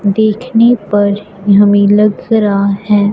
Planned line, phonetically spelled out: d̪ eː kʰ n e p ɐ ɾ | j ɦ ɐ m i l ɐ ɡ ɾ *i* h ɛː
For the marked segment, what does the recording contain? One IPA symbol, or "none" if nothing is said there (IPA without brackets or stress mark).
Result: a